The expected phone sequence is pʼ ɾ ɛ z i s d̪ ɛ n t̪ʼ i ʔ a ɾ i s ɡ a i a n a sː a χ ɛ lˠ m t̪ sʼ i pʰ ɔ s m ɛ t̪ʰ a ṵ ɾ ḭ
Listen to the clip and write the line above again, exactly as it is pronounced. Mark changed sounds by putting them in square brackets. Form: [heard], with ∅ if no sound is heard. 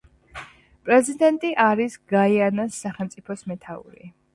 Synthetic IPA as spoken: pʼ ɾ ɛ z i [∅] d̪ ɛ n t̪ʼ i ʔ a ɾ i s ɡ a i a n a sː a χ ɛ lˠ m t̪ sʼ i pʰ ɔ s m ɛ t̪ʰ a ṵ ɾ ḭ